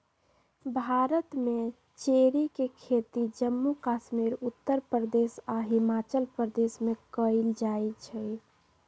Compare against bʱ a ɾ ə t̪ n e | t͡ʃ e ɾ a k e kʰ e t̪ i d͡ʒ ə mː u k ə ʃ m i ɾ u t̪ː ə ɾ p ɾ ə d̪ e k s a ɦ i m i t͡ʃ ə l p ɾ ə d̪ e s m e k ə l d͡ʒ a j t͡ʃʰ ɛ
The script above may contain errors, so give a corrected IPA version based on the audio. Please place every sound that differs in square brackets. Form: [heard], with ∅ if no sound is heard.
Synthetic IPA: bʱ a ɾ ə t̪ [m] e | t͡ʃ e ɾ [i] k e kʰ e t̪ i d͡ʒ ə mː u k [a] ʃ m i ɾ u t̪ː ə ɾ p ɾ ə d̪ e [∅] s a ɦ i m [a] t͡ʃ ə l p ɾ ə d̪ e s m e k ə l d͡ʒ a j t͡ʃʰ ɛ